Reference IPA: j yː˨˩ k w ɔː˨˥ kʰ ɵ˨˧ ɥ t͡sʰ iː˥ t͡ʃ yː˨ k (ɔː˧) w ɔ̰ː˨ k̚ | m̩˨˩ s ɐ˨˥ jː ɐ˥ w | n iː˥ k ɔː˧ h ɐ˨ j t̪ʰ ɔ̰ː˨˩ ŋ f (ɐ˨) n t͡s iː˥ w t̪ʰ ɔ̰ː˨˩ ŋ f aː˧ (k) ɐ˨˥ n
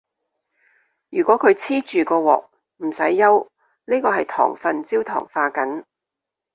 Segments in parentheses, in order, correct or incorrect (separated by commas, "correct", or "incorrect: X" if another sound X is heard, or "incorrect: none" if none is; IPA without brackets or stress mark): correct, correct, correct